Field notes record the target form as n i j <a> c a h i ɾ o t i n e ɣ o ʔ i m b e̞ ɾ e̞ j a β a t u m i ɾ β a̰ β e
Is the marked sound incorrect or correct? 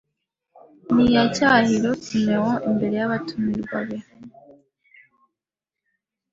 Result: correct